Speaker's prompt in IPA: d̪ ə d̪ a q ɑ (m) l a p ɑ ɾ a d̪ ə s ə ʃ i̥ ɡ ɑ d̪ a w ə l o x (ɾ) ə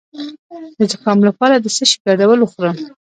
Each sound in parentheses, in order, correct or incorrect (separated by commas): correct, correct